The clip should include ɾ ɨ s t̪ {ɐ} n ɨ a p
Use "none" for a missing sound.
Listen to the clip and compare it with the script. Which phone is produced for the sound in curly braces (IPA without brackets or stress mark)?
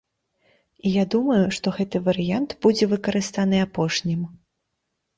a